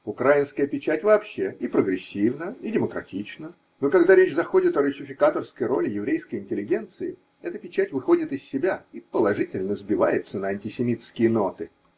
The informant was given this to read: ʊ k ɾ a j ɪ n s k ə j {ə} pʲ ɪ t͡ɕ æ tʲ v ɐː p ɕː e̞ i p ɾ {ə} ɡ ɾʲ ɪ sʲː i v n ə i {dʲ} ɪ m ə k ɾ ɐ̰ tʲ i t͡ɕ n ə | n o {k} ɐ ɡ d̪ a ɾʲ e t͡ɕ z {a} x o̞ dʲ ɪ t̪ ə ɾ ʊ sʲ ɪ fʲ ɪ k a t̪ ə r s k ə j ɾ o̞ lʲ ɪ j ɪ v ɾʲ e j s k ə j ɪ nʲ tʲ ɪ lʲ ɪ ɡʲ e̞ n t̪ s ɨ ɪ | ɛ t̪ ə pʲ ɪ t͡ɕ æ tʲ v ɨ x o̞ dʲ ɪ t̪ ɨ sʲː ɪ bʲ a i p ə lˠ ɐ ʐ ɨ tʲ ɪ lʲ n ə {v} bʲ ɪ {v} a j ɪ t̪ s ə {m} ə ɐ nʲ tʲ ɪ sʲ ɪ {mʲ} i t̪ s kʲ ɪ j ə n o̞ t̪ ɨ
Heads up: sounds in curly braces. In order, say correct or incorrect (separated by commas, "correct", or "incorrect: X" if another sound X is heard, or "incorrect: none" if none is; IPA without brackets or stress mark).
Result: correct, correct, correct, correct, incorrect: ɐ, incorrect: z, correct, incorrect: n, correct